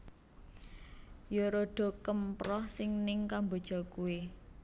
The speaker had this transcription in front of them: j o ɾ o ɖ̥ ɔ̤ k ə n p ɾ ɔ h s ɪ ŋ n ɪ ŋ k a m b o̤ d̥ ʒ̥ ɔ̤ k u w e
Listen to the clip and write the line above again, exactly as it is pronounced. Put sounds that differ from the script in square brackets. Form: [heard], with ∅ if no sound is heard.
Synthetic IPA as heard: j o ɾ o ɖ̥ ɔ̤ k ə [m] p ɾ ɔ h s ɪ ŋ n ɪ ŋ k a m b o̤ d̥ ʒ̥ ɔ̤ k u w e

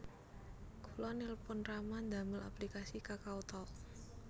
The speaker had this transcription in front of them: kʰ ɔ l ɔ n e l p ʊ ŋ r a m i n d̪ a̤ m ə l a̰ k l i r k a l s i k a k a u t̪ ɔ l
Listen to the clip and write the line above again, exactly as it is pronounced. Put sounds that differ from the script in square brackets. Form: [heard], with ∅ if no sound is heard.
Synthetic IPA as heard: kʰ [u] l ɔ n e l p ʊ [n] r a m [a] n d̪ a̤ m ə l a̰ [p] l i [∅] k a [∅] s i k a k a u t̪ ɔ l

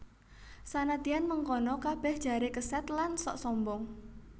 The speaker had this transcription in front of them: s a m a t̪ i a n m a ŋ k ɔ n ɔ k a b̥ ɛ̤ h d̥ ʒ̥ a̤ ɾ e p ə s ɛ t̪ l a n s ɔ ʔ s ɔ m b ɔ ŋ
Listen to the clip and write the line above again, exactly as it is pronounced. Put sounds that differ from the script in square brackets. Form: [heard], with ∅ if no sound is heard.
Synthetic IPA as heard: s a [n] a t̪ i a n m [ə] ŋ k ɔ n ɔ k a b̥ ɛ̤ h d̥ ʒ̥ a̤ ɾ e [k] ə s ɛ t̪ l a n s ɔ ʔ s ɔ m b ɔ ŋ

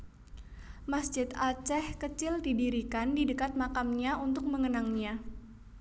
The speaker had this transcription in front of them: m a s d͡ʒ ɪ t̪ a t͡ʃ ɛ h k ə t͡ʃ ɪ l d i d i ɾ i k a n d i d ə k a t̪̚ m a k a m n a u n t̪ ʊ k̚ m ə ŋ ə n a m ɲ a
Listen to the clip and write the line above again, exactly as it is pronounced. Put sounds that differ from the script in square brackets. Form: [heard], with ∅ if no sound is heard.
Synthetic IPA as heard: m a s d͡ʒ ɪ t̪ a t͡ʃ ɛ h k ə t͡ʃ ɪ l d i d i ɾ i k a n d i d ə k a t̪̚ m a k a m [ɲ] a u n t̪ ʊ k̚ m ə ŋ ə n a [ŋ] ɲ a

